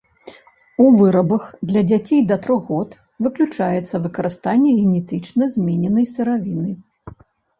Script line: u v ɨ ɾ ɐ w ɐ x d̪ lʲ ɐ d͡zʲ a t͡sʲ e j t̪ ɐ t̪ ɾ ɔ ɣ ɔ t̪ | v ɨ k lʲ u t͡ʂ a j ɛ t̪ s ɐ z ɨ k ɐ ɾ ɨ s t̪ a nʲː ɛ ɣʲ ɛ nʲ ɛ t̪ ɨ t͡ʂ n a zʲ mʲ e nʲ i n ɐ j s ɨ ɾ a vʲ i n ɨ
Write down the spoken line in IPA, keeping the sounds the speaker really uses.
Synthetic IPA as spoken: u v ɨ ɾ ɐ b ɐ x d̪ lʲ ɐ d͡zʲ a t͡sʲ e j d̪ ɐ t̪ ɾ ɔ ɣ ɔ t̪ | v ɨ k lʲ u t͡ʂ a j ɛ t̪ sː ɐ v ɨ k ɐ ɾ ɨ s t̪ a nʲː ɛ ɣʲ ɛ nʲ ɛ t̪ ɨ t͡ʂ n ɐ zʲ mʲ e nʲ ɛ n ɐ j s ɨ ɾ a vʲ i n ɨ